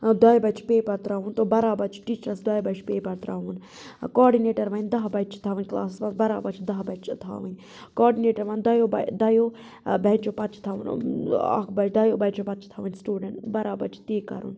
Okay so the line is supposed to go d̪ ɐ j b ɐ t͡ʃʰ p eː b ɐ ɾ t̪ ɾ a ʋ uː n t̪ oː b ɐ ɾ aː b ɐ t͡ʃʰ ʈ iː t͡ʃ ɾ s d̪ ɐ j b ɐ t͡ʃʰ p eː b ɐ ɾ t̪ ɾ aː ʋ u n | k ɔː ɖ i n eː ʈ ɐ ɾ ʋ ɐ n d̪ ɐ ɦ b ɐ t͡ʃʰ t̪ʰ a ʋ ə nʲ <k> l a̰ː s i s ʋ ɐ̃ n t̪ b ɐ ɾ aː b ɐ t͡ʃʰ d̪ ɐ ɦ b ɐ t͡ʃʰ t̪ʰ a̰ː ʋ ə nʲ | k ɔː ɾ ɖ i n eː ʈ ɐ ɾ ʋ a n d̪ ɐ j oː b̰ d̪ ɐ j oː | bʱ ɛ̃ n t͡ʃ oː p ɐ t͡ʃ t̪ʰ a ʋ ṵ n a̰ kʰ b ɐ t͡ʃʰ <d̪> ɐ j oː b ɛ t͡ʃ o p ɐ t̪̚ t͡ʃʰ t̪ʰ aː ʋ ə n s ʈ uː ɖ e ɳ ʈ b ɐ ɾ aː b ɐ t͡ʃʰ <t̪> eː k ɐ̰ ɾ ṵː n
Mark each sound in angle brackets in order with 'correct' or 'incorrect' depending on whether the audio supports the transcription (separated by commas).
correct, correct, correct